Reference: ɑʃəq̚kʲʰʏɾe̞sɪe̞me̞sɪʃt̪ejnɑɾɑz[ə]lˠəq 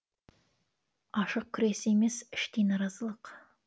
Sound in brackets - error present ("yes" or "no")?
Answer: no